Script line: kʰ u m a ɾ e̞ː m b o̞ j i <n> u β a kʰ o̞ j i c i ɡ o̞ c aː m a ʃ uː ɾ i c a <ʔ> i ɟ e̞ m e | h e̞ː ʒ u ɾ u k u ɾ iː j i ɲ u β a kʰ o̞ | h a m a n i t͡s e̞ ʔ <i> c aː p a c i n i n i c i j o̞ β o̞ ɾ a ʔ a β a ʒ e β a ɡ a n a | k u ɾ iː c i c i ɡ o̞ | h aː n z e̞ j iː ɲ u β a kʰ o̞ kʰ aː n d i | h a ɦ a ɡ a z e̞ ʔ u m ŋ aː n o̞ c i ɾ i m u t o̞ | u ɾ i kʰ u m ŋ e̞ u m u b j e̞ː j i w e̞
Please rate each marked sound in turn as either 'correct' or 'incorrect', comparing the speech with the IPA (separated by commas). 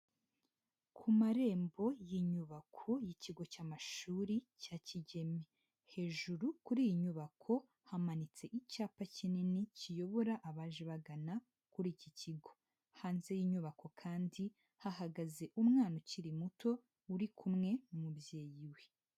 incorrect, incorrect, correct